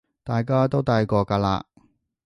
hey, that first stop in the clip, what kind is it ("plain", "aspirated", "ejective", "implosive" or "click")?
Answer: plain